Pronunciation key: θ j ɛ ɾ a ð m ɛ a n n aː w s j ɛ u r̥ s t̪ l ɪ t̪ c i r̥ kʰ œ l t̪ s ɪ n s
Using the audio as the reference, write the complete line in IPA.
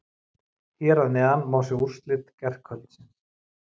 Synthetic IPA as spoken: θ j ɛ ɾ a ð n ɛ a n m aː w s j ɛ u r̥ s t̪ l ɪ t̪ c ɛ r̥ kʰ œ l t̪ s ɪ n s